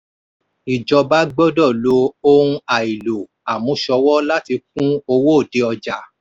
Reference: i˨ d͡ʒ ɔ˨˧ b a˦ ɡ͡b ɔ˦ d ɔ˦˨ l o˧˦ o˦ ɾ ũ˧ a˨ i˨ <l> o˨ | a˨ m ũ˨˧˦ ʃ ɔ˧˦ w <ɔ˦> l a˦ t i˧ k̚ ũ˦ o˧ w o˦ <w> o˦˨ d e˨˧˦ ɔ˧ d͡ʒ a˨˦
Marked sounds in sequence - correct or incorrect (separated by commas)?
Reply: correct, correct, incorrect